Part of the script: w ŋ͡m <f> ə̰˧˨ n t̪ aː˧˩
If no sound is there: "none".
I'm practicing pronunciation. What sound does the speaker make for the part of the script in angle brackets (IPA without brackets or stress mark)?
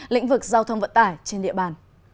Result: v